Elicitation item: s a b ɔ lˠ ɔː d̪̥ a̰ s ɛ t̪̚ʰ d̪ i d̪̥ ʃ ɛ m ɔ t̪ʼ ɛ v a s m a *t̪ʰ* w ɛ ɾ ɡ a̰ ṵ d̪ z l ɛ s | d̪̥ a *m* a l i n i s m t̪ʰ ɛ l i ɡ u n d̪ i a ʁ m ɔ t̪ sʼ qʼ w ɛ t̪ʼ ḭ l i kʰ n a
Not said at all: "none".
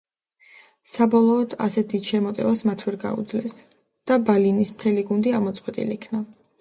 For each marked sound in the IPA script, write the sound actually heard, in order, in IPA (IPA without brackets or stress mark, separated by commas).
t̪ʰ, b